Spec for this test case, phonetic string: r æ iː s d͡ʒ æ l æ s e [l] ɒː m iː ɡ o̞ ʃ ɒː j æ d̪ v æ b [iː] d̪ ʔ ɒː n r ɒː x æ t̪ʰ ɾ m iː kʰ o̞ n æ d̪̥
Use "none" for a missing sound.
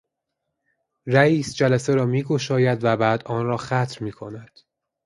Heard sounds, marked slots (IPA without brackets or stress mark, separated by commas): ɾ, æː